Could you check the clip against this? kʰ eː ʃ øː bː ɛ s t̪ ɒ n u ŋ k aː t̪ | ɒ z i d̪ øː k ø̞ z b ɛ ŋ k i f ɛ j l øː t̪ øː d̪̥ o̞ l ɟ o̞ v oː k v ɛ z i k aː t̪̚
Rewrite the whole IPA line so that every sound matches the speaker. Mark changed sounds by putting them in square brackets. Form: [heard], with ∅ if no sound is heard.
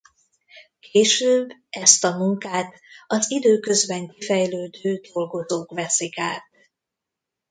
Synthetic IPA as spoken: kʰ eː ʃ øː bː ɛ s t̪ ɒ [m] u ŋ k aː t̪ | ɒ z i d̪ øː k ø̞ z b ɛ ŋ k i f ɛ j l øː [d̪] øː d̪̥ o̞ l [ɡ] o̞ [z] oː k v ɛ [s] i k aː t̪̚